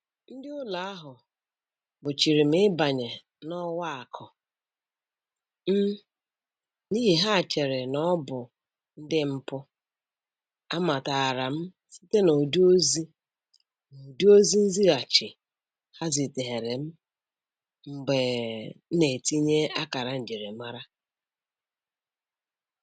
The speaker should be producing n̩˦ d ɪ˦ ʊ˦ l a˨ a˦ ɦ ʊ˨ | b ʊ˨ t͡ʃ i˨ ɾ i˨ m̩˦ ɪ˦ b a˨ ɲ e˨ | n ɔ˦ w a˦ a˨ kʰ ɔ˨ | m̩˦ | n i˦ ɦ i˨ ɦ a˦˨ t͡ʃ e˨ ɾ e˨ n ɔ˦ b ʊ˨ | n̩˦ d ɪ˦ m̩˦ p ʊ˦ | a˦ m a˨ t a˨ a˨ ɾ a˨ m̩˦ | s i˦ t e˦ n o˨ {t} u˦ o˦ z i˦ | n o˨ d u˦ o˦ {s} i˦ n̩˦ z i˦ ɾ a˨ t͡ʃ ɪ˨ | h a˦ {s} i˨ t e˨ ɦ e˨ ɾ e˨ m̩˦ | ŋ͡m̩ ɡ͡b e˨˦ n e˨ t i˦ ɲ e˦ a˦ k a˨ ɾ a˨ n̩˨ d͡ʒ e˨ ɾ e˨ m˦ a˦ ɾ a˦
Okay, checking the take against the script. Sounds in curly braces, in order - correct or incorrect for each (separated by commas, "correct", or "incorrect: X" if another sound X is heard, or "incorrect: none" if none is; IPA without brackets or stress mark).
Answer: incorrect: d, incorrect: z, incorrect: z